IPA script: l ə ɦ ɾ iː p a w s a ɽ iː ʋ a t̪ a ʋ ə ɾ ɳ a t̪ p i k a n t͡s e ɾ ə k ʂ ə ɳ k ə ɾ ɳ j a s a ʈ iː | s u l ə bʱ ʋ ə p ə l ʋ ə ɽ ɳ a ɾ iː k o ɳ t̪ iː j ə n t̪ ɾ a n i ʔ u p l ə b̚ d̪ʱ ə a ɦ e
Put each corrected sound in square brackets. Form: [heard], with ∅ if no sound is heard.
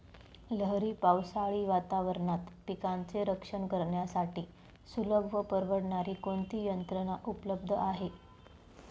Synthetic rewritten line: l ə ɦ ɾ iː p a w s a [ɭ] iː ʋ a t̪ a ʋ ə ɾ ɳ a t̪ p i k a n t͡s e ɾ ə k ʂ ə ɳ k ə ɾ ɳ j a s a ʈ iː | s u l ə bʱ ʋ ə p ə [ɾ] ʋ ə ɽ ɳ a ɾ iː k o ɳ t̪ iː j ə n t̪ ɾ [ə] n [a] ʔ u p l ə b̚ d̪ʱ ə a ɦ e

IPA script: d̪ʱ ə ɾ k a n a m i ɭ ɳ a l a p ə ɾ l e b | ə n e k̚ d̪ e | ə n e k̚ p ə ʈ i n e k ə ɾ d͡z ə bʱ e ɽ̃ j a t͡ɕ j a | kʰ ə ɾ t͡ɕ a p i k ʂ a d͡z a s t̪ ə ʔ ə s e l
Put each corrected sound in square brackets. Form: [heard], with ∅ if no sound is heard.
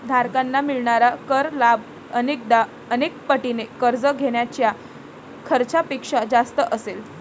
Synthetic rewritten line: d̪ʱ [a] ɾ k a [nː] a m i ɭ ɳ a [ɾ] a [k] ə ɾ l [a] b | ə n e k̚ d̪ [a] | ə n e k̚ p ə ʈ i n e k ə ɾ d͡z ə [ɡʱ] e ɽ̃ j a t͡ɕ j a | kʰ ə ɾ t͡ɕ a p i k ʂ a d͡z a s t̪ ə ʔ ə s e l

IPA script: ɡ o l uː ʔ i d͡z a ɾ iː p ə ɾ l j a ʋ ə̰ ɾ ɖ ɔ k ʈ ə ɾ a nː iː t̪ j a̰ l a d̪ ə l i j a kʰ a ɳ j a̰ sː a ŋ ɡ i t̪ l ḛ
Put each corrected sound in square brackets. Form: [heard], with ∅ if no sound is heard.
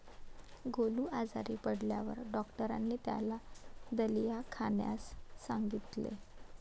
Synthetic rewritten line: ɡ o l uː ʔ [a] d͡z a ɾ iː p ə [ɽ] l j a ʋ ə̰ ɾ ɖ ɔ k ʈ ə ɾ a nː iː t̪ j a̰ l a d̪ ə l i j a kʰ a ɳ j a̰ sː a ŋ ɡ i t̪ l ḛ

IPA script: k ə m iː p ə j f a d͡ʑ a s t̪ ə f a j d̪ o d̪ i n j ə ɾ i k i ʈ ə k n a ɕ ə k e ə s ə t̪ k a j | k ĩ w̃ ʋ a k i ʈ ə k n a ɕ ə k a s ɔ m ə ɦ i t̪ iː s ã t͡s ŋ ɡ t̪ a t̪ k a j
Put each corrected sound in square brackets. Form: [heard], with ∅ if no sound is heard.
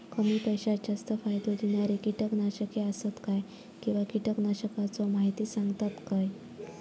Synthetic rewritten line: k ə m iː p ə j [ɕ] a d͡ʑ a s t̪ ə f a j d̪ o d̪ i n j [a] ɾ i k i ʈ ə k n a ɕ ə k e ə s ə t̪ k a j | k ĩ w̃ ʋ a k i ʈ ə k n a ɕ ə k a [t͡s] ɔ m [a] ɦ i t̪ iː s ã [∅] ŋ ɡ t̪ a t̪ k a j

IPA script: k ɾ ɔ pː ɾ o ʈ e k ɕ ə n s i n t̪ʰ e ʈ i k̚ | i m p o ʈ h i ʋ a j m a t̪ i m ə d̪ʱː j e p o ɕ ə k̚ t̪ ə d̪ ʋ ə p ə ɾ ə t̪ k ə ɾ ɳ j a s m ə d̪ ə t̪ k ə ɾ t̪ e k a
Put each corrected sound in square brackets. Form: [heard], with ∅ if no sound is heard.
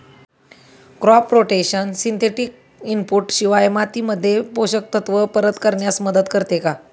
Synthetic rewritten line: k ɾ ɔ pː ɾ o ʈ e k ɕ ə n s i n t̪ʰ e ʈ i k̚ | i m p [u] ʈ [ɕ] i ʋ a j m a t̪ i m ə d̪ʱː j e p o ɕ ə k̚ t̪ ə [t̪] ʋ ə p ə ɾ ə t̪ k ə ɾ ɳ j a s m ə d̪ ə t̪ k ə ɾ t̪ e k a

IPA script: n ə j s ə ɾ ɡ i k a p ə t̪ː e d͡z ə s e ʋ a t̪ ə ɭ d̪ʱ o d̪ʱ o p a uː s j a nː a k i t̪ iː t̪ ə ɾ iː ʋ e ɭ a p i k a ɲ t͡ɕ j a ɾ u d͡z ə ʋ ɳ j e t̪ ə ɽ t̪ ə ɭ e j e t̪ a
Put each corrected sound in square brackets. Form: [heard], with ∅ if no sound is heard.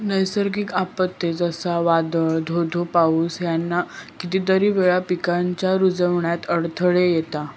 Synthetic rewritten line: n ə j s ə ɾ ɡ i k a p ə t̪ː e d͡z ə s [a] ʋ a [d̪] ə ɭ d̪ʱ o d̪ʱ o p a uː s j a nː a k i t̪ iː t̪ ə ɾ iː ʋ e ɭ a p i k a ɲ t͡ɕ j a ɾ u d͡z ə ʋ ɳ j [a] t̪ ə ɽ [t̪ʰ] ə ɭ e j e t̪ a

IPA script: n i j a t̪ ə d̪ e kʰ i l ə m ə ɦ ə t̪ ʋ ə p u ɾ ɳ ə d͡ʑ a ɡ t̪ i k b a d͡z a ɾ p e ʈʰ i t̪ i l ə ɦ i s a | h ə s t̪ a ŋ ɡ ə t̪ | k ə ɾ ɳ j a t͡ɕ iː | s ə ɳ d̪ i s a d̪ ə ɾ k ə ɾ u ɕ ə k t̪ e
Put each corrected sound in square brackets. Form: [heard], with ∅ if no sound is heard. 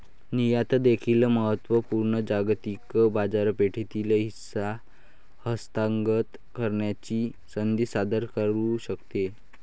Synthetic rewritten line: n i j a t̪ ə d̪ e kʰ i l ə m ə ɦ ə t̪ ʋ ə p u ɾ ɳ ə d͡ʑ a ɡ t̪ i k b a d͡z a ɾ p e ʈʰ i t̪ i l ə ɦ i s a | h ə s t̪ a ŋ ɡ ə t̪ | k ə ɾ ɳ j a t͡ɕ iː | s ə [n] d̪ i s a d̪ ə ɾ k ə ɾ u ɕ ə k t̪ e

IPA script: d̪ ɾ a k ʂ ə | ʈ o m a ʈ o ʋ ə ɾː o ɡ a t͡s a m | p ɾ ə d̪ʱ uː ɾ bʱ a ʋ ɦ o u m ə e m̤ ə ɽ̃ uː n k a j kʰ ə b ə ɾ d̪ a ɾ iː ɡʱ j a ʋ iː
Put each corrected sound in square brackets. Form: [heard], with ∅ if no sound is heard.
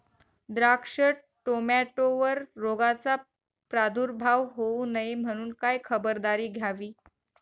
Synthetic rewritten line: d̪ ɾ a k ʂ ə | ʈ o m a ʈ o ʋ ə ɾː o ɡ a t͡s a [∅] | p ɾ [a] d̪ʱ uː ɾ bʱ a ʋ ɦ o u [n] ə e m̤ ə ɽ̃ uː n k a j kʰ ə b ə ɾ d̪ a ɾ iː ɡʱ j a ʋ iː

